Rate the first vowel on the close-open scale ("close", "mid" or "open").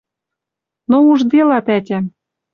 mid